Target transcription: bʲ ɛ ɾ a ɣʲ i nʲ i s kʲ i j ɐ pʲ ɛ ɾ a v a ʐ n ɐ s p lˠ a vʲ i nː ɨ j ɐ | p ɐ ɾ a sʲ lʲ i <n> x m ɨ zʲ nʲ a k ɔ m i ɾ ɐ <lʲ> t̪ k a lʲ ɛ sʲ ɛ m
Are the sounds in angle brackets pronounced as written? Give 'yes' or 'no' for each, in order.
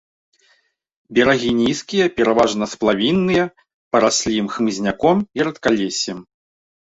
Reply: no, no

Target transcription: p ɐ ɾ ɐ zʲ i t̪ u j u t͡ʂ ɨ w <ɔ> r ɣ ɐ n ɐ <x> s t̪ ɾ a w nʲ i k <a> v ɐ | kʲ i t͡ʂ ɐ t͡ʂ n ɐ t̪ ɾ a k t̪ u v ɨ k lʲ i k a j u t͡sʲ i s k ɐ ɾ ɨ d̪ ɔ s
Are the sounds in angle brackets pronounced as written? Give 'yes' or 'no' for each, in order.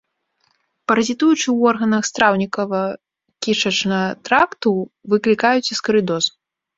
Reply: yes, yes, no

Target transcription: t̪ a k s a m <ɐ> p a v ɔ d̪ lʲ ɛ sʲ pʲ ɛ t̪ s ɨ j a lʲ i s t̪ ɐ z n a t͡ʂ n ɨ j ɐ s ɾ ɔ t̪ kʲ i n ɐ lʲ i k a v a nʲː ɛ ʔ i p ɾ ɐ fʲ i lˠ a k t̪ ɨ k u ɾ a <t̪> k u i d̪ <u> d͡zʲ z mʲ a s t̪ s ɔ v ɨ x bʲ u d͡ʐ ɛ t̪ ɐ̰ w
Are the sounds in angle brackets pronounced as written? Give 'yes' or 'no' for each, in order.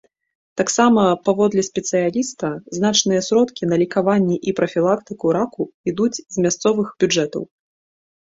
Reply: yes, no, yes

